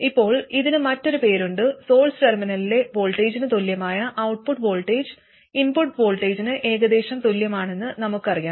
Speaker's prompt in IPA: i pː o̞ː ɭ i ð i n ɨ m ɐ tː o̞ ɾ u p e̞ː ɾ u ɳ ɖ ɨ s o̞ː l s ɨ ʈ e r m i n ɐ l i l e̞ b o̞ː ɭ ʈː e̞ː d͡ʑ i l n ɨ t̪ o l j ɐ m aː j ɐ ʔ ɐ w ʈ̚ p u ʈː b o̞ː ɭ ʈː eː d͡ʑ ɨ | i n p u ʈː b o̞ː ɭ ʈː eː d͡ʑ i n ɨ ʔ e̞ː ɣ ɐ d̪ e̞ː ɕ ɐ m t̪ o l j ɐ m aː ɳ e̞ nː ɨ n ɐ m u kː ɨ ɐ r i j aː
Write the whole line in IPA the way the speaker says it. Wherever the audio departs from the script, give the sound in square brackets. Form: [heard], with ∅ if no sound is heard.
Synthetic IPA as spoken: i pː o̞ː ɭ i ð i n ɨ m ɐ tː o̞ ɾ u p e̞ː ɾ u ɳ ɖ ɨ s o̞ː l s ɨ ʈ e r m i n ɐ l i l e̞ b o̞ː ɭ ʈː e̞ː d͡ʑ i [∅] n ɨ t̪ o l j ɐ m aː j ɐ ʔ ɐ w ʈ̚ p u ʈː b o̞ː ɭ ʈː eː d͡ʑ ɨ | i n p u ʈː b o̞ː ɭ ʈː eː d͡ʑ i n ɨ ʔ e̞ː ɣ ɐ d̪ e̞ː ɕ ɐ m t̪ o l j ɐ m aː ɳ e̞ nː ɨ n ɐ m u kː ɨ ɐ r i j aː